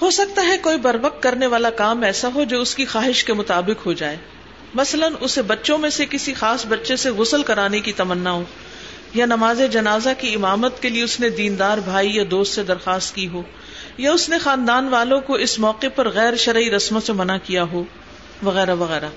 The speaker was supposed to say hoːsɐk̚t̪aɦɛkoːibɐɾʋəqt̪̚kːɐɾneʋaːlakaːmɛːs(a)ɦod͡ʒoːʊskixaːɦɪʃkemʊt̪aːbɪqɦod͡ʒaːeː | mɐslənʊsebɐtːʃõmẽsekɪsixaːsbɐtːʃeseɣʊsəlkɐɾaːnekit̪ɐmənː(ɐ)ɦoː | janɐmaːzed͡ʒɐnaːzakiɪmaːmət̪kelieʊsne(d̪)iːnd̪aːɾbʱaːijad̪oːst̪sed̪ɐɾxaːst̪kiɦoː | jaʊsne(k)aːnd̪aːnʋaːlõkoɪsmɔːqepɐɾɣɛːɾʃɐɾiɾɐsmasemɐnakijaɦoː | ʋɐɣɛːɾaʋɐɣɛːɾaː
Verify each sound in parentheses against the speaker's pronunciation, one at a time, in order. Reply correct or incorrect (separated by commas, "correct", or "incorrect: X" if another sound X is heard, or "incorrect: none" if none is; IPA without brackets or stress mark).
correct, incorrect: a, correct, incorrect: x